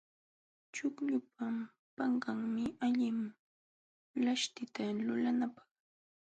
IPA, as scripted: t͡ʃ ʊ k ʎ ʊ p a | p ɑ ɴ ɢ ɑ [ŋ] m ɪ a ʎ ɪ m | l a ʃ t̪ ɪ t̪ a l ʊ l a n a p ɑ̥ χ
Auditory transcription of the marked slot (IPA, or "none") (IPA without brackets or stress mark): ŋ